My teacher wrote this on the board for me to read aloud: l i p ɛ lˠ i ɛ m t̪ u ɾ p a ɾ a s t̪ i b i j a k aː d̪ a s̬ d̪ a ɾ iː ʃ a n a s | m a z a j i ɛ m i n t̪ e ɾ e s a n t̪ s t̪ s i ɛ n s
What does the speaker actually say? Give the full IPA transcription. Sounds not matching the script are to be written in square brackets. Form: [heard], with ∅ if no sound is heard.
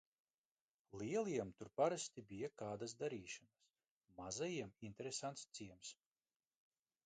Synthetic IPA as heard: l i [∅] ɛ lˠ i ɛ m t̪ u ɾ p a ɾ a s t̪ i b i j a k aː d̪ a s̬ d̪ a ɾ iː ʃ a n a s | m a z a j i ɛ m i n t̪ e ɾ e s a n t̪ s t̪ s i ɛ [m] s

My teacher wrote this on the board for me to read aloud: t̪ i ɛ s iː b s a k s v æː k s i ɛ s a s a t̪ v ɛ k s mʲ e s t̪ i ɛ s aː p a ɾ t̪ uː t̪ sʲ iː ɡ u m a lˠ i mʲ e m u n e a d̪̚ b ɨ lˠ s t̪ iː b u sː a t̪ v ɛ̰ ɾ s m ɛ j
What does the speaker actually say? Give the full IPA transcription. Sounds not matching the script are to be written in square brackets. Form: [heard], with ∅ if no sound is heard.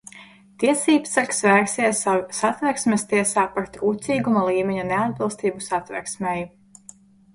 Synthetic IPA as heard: t̪ i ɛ s iː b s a k s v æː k s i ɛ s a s a t̪ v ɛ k s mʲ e s t̪ i ɛ s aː p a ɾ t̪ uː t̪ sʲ iː ɡ u m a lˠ [iː] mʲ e [ɲ] u n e a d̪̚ b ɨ lˠ s t̪ iː b u [s] a t̪ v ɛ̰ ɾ s m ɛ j

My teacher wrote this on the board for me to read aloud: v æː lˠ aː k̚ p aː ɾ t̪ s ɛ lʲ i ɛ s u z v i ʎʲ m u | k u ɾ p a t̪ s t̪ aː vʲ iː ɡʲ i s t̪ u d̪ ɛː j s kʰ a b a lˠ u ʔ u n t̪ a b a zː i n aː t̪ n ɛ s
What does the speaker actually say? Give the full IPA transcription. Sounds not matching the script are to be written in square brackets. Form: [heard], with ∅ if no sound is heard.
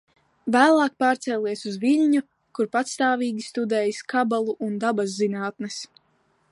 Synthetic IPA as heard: v æː lˠ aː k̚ p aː ɾ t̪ s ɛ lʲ i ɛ s u z v i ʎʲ [ɲ] u | k u ɾ p a t̪ s t̪ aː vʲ iː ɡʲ i s t̪ u d̪ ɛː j s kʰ a b a lˠ u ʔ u n [d̪] a b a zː i n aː t̪ n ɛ s

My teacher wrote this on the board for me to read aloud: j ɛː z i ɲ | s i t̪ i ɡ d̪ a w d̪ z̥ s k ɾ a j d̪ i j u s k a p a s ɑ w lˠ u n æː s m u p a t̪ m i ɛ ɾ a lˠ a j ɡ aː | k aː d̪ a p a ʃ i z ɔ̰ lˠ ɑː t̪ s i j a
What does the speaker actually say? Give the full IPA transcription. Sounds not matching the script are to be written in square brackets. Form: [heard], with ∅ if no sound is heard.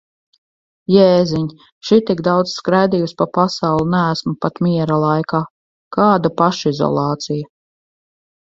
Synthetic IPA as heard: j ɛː z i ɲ | [ʃ] i t̪ i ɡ d̪ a w d̪ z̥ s k ɾ a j d̪ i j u s [p] a p a s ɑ w lˠ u n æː s m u p a t̪ m i ɛ ɾ a lˠ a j [k] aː | k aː d̪ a p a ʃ i z ɔ̰ lˠ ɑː t̪ s i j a

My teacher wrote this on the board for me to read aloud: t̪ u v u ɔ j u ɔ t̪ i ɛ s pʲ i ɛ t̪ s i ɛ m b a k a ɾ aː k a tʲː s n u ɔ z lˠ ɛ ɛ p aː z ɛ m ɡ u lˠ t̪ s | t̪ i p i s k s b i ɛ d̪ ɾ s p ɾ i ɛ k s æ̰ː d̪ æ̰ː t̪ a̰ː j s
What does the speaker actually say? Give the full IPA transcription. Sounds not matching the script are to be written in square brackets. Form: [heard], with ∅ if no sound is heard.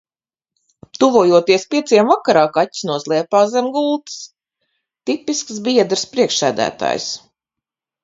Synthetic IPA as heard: t̪ u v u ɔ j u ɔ t̪ i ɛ s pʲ i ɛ t̪ s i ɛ m [v] a k a ɾ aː k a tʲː s n u ɔ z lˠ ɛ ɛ p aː z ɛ m ɡ u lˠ t̪ s | t̪ i p i s k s b i ɛ d̪ ɾ s p ɾ i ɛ k [ʃ] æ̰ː d̪ æ̰ː t̪ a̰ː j s

